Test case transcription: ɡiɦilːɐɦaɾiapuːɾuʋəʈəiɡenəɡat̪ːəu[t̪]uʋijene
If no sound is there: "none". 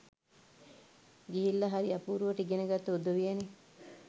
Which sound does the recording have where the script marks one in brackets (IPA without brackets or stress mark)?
d̪